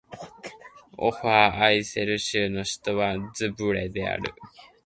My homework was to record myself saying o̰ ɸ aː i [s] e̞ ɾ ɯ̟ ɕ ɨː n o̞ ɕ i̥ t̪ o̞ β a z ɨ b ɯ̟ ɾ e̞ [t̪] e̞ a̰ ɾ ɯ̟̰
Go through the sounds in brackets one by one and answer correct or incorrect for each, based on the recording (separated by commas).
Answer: correct, incorrect